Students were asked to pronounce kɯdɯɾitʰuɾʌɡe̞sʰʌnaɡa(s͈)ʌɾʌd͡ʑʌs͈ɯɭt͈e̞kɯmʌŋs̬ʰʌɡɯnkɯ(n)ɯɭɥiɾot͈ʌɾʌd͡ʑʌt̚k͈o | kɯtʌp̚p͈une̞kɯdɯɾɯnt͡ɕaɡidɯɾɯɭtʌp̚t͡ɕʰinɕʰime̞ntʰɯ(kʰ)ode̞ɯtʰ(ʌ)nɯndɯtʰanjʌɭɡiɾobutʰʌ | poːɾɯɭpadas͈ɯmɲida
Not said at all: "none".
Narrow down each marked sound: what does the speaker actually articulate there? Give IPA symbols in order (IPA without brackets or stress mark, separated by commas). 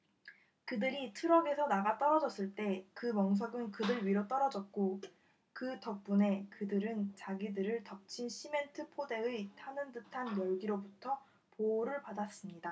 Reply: t͈, d, pʰ, a